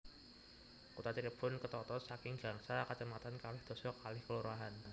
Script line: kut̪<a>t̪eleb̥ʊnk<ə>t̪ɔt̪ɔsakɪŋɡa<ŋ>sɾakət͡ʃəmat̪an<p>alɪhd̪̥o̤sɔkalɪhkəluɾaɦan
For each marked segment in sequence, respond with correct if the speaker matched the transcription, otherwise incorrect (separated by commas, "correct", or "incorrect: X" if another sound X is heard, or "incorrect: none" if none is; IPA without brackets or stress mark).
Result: correct, correct, correct, incorrect: k